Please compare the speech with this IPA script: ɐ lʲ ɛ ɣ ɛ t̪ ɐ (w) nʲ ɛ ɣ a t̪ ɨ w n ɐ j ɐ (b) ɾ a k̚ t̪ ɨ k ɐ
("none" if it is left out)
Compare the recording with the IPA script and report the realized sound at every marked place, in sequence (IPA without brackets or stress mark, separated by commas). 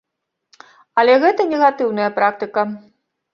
none, p